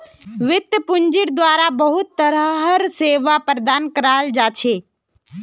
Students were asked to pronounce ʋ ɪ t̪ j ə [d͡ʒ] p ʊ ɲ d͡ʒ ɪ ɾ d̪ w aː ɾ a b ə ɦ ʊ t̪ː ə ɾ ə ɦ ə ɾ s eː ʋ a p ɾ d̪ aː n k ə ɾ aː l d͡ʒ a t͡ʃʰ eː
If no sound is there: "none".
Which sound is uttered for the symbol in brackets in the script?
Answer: none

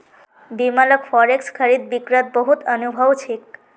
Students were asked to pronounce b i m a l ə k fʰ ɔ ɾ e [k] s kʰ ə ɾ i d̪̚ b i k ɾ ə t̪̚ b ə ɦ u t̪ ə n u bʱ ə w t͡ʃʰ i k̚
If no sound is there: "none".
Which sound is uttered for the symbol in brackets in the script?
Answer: k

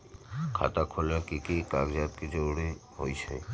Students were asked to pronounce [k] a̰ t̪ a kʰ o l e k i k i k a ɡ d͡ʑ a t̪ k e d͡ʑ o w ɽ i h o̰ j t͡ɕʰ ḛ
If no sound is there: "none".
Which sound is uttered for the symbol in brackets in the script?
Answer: kʰ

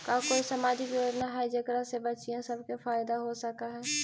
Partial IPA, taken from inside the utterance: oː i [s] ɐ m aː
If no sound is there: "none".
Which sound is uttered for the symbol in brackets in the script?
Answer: s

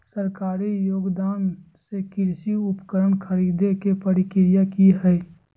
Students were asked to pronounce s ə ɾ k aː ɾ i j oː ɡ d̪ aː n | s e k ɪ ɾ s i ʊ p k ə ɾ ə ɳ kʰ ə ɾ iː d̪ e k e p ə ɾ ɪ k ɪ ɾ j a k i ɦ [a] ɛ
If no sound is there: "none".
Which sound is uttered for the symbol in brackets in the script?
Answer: ɛ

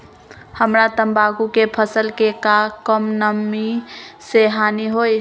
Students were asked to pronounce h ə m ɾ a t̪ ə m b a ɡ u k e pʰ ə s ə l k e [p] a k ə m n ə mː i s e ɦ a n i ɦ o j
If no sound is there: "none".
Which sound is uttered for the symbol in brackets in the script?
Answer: k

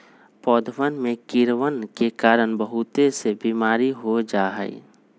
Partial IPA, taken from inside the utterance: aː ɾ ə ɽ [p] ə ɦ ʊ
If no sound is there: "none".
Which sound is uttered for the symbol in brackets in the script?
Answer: b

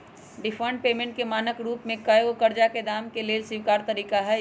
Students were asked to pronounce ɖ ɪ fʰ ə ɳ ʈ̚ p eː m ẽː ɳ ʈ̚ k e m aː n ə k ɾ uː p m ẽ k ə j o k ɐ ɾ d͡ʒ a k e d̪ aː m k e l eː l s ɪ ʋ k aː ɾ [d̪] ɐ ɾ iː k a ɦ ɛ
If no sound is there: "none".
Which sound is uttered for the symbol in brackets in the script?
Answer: t̪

